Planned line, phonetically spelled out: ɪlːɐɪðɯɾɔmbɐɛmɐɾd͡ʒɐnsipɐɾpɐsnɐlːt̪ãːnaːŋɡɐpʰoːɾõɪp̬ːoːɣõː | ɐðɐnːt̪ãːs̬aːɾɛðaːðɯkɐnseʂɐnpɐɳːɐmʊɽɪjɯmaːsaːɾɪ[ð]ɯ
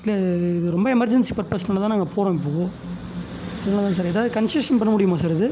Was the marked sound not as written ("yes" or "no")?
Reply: no